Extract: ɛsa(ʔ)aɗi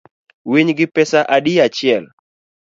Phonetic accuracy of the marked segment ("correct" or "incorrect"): correct